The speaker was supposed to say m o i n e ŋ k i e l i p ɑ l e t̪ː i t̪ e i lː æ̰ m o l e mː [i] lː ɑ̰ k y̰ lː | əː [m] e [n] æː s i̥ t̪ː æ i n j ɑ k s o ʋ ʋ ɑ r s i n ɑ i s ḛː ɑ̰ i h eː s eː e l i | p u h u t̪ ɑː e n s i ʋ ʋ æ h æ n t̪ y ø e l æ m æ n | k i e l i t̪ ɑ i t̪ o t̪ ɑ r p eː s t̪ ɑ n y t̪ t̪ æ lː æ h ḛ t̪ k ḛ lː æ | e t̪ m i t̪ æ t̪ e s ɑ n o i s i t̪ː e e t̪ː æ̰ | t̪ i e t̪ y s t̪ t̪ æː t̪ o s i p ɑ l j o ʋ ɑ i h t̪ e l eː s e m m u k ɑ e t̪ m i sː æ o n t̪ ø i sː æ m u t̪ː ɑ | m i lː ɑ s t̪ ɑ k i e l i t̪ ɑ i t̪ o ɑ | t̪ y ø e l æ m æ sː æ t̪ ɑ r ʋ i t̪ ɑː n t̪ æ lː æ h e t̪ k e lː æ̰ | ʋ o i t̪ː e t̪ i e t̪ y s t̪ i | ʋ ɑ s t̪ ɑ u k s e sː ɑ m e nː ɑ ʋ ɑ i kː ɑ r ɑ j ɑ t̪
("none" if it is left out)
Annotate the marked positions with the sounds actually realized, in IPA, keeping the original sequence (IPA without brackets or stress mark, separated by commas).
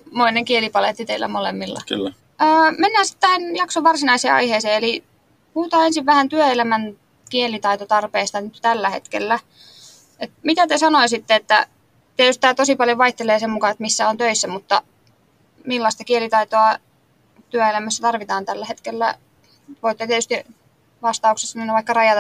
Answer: i, m, nː